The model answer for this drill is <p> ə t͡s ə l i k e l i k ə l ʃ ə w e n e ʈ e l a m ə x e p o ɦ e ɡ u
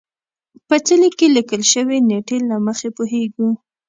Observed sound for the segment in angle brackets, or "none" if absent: p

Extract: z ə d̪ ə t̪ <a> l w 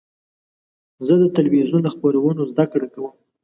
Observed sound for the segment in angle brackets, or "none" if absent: a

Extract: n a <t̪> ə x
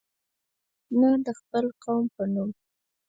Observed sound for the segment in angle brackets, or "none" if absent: d̪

